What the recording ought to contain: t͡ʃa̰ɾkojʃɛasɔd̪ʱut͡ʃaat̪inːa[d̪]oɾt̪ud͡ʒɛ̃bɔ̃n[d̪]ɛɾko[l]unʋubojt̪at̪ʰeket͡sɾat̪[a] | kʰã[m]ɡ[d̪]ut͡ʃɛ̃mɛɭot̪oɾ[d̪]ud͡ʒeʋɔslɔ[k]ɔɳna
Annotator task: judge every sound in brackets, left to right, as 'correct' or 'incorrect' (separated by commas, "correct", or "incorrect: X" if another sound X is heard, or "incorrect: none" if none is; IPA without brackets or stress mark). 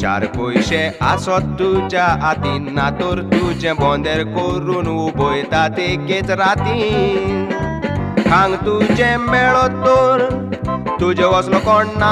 incorrect: t̪, correct, incorrect: ɾ, incorrect: i, incorrect: ŋ, incorrect: t̪, incorrect: t̪, correct